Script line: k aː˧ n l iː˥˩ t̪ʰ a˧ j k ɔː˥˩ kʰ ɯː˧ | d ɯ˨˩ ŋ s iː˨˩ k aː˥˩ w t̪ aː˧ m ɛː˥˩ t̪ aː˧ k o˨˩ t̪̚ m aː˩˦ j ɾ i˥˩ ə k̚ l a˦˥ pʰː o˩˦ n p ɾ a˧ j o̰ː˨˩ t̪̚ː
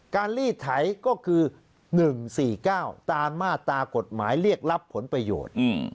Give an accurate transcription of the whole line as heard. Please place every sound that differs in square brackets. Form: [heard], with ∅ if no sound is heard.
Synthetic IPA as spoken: k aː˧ n l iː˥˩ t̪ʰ [a˩˦] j k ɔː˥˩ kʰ ɯː˧ | [n] ɯ˨˩ ŋ s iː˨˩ k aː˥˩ w t̪ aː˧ m [aː˥˩] t̪ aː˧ k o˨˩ t̪̚ m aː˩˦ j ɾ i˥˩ ə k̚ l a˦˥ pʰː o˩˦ n p ɾ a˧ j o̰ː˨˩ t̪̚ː